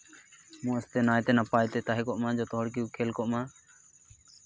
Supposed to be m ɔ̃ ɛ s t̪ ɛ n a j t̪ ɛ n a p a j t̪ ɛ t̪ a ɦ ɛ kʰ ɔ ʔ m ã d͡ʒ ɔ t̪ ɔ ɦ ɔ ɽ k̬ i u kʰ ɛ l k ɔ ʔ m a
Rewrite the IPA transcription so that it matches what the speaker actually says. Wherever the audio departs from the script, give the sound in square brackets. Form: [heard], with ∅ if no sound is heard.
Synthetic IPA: m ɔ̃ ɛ s t̪ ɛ n a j t̪ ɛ n a p a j t̪ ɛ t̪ a ɦ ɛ [k] ɔ ʔ m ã d͡ʒ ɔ t̪ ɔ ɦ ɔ ɽ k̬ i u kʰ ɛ l k ɔ ʔ m a